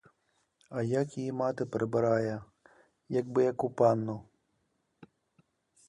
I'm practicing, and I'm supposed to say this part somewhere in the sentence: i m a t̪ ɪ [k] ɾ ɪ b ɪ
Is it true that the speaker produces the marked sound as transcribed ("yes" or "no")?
no